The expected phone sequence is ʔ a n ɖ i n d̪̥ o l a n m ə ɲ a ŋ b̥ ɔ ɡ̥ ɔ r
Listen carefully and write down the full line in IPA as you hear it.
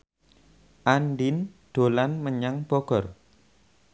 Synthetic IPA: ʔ a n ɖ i n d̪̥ o l a n m ə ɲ a ŋ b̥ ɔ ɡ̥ ɔ r